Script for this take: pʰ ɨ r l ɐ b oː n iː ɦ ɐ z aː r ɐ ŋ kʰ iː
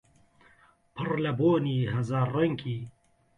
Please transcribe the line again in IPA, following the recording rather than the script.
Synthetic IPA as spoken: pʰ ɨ r l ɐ b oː n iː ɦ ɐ z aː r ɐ ŋ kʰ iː